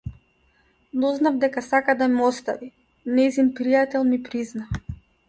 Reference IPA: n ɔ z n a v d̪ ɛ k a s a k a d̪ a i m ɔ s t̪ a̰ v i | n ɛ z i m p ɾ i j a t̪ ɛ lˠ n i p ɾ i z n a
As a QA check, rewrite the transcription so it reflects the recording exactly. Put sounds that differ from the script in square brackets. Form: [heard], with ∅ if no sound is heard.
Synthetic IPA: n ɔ z n a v d̪ ɛ k a s a k a d̪ a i m ɔ s t̪ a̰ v i | n ɛ z i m p ɾ i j a t̪ ɛ lˠ [m] i p ɾ i z n a